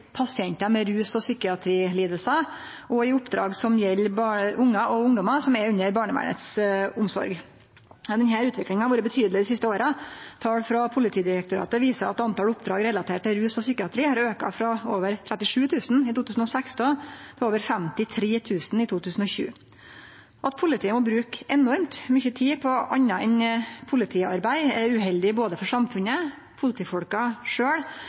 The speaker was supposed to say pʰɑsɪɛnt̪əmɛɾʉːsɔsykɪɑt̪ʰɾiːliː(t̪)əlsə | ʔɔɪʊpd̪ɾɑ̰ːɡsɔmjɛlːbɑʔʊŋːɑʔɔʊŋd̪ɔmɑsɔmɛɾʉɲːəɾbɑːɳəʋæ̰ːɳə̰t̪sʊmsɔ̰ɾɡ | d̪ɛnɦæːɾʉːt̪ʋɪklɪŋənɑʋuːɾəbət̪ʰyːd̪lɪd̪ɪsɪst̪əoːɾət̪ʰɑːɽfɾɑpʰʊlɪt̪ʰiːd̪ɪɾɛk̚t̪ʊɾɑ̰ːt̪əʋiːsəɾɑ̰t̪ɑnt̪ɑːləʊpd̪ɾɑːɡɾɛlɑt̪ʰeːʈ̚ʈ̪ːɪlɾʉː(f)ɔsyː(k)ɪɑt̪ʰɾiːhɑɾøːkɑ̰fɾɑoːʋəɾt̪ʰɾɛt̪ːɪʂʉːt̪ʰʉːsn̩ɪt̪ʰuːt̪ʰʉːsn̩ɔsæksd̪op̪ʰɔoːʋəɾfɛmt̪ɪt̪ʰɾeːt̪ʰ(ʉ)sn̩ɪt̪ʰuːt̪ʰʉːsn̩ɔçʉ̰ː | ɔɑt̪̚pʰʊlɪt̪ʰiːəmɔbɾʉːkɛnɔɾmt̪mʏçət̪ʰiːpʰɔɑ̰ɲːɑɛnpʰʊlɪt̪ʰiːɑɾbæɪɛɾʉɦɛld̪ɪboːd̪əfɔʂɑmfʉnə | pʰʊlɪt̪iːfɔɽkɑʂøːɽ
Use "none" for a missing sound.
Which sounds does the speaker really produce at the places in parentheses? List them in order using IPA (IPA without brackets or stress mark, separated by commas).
d̪, s, k, ʉː